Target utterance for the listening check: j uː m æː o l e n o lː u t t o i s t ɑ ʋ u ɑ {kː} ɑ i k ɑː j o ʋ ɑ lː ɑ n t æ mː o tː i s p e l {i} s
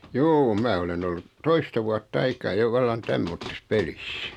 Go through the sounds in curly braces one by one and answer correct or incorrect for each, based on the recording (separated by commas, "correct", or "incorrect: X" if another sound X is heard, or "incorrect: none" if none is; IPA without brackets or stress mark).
incorrect: tː, correct